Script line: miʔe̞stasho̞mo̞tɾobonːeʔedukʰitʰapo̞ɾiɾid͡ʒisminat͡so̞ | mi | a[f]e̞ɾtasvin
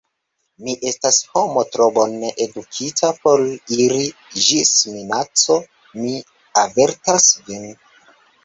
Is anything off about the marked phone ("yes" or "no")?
yes